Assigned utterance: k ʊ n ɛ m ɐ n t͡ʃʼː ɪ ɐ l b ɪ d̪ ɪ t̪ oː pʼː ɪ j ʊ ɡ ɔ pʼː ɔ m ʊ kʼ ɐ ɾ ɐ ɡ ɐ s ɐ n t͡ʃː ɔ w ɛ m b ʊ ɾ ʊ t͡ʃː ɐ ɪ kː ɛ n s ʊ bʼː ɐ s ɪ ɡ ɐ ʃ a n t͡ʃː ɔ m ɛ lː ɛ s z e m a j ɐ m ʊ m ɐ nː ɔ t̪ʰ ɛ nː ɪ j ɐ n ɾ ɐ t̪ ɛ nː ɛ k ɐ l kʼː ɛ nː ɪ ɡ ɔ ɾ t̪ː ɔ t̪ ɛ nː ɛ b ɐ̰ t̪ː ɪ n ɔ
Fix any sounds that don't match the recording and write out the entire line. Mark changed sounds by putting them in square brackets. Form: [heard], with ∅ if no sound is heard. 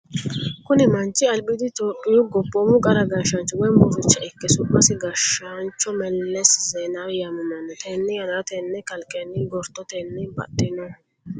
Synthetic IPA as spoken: k ʊ n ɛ m ɐ n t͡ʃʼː ɪ ɐ l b ɪ d̪ ɪ t̪ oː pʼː ɪ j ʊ ɡ ɔ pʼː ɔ m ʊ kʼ ɐ ɾ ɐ ɡ ɐ [ʃ] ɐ n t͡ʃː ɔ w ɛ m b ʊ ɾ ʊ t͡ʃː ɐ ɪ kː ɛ [∅] s ʊ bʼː ɐ s ɪ ɡ ɐ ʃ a n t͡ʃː ɔ m ɛ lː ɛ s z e [n] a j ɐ m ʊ m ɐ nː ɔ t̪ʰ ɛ nː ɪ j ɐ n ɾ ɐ t̪ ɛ nː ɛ k ɐ l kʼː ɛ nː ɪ ɡ ɔ ɾ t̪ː ɔ t̪ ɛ nː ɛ b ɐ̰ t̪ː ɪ n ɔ